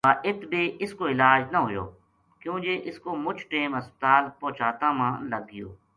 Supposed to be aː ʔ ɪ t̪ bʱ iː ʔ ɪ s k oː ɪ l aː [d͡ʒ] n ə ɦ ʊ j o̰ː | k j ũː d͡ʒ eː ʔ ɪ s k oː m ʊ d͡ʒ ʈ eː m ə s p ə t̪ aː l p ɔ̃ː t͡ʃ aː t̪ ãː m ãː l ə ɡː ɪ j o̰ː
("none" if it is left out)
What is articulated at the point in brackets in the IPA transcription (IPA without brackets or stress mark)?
d͡ʒ